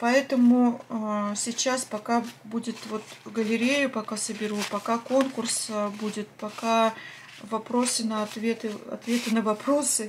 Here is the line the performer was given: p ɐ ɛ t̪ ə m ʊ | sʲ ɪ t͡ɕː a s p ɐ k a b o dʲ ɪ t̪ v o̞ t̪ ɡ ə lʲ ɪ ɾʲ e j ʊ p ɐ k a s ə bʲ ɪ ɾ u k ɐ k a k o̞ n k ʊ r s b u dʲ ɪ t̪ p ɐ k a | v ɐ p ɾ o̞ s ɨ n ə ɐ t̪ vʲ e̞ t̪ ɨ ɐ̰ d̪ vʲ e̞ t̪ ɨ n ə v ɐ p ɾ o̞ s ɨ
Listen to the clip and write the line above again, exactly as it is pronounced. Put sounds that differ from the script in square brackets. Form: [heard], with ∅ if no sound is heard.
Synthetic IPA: p ɐ ɛ t̪ ə m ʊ | sʲ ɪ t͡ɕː a s p ɐ k a b [u] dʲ ɪ t̪ v o̞ t̪ ɡ ə lʲ ɪ ɾʲ e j ʊ p ɐ k a s ə bʲ ɪ ɾ u [p] ɐ k a k o̞ n k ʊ r s b u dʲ ɪ t̪ p ɐ k a | v ɐ p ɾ o̞ s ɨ n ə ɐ t̪ vʲ e̞ t̪ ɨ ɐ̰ [t̪] vʲ e̞ t̪ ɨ n ə v ɐ p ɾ o̞ s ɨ